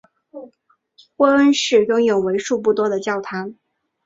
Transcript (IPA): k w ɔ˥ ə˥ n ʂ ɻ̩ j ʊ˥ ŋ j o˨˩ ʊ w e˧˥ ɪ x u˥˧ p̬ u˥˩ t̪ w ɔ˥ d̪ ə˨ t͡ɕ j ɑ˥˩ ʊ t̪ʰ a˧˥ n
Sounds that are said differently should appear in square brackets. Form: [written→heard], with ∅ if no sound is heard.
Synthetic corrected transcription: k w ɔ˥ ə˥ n ʂ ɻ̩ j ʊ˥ ŋ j o˨˩ ʊ w e˧˥ ɪ [x→ʂ] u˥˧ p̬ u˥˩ t̪ w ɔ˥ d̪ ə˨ t͡ɕ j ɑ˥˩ ʊ t̪ʰ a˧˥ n